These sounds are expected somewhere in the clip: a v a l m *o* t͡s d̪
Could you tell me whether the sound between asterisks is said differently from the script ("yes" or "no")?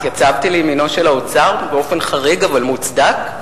yes